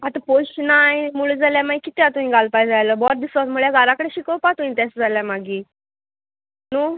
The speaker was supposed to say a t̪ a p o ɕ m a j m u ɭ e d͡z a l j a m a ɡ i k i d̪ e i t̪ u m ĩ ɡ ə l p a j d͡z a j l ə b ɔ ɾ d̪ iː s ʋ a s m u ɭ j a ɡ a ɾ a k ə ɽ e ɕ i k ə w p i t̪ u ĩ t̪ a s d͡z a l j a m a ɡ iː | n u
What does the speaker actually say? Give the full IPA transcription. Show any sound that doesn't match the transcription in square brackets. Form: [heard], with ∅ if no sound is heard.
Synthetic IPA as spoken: a t̪ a p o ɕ [n] a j m u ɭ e d͡z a l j a m a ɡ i k i [t̪] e [a] t̪ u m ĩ ɡ [a] l p a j d͡z a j l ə b ɔ ɾ d̪ [i] s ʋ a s m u ɭ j a ɡ a ɾ a k ə ɽ e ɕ i k ə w p [a] t̪ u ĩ t̪ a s d͡z a l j a m a ɡ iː | n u